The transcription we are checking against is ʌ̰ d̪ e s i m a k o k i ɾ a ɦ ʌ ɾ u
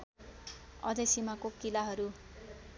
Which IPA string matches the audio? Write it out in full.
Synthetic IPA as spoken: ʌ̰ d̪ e s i m a k o k i l a ɦ ʌ ɾ u